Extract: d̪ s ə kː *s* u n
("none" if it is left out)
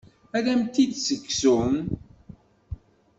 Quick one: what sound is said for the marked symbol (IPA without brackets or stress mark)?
s